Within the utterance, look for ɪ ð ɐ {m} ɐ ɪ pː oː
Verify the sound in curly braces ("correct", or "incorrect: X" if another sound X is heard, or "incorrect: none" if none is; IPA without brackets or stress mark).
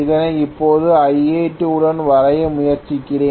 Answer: incorrect: n